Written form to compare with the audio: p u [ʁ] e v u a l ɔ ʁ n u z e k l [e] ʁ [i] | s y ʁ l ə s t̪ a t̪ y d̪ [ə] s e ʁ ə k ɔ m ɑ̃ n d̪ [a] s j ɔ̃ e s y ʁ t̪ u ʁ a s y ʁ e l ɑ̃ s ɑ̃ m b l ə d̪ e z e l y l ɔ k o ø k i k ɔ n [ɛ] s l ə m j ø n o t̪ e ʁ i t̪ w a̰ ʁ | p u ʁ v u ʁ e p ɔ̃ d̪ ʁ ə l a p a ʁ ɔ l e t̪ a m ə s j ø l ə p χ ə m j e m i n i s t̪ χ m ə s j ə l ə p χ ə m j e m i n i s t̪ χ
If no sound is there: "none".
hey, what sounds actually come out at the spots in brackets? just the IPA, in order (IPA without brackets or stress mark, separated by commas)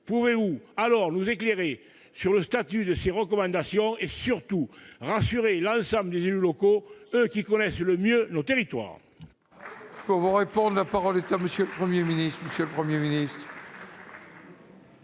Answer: v, e, e, ə, a, ɛ